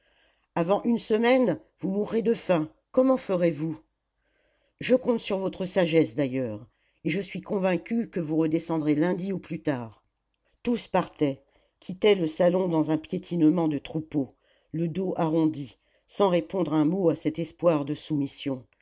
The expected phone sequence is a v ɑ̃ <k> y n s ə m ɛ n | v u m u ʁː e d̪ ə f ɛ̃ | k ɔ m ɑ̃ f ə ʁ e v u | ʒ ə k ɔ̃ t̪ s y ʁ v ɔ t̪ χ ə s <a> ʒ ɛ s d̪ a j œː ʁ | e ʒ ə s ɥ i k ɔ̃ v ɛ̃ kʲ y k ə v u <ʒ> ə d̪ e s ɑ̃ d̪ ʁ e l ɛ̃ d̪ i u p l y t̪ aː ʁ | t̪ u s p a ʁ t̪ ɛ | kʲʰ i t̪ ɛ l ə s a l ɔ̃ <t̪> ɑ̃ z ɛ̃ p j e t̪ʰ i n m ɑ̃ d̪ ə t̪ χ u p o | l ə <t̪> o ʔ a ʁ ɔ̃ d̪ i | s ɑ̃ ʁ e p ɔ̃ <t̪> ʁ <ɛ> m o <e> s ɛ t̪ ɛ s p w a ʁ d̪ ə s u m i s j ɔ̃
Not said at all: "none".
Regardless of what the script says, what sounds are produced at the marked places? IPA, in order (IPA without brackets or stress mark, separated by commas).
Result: ʔ, a, ʁ, d̪, d̪, d̪, ɛ̃, a